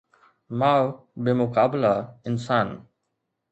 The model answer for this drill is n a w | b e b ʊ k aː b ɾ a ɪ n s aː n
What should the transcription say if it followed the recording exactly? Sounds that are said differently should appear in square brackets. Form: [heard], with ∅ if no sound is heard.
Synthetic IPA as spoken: [m] a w | b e [m] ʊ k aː b [l] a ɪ n s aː n